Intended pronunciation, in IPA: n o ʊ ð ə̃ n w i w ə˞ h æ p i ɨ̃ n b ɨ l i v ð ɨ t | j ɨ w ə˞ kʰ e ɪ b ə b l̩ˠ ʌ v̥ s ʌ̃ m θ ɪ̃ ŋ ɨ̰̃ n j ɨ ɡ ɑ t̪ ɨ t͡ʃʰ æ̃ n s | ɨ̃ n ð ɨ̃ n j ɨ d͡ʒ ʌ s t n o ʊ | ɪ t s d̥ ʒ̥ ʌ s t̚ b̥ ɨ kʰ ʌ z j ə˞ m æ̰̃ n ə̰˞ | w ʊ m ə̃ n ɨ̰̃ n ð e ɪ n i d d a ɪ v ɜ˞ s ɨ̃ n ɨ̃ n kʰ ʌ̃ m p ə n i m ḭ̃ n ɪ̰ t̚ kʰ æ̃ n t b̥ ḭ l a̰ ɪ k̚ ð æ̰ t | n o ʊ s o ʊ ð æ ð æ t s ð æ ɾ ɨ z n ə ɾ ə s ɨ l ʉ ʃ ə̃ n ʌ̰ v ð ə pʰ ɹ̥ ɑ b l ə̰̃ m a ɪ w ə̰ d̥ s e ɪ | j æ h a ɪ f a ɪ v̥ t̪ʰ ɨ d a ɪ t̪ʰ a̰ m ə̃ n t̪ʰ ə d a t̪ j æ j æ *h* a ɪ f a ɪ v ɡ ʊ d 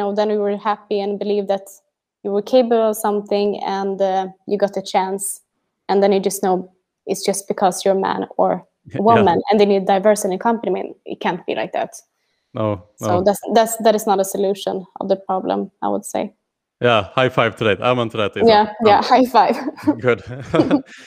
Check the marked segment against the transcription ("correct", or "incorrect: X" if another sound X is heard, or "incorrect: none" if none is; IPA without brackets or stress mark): correct